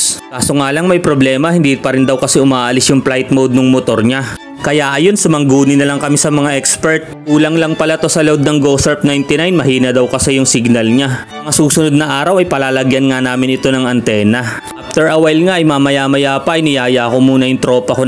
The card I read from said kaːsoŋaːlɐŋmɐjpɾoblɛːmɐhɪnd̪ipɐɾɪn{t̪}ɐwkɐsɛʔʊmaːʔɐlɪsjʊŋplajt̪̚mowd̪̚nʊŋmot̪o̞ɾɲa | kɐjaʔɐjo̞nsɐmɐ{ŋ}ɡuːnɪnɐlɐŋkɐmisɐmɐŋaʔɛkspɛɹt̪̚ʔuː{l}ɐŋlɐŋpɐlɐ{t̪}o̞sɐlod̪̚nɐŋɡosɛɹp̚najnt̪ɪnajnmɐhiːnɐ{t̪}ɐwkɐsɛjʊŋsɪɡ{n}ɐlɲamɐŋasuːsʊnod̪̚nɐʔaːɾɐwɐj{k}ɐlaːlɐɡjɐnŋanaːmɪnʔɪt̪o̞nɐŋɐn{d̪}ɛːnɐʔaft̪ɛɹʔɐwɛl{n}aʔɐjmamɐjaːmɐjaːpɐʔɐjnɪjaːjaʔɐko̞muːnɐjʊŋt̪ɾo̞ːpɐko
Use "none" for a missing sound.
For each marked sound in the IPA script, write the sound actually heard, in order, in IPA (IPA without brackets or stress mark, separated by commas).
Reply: d̪, ŋ, l, t̪, d̪, n, p, t̪, ŋ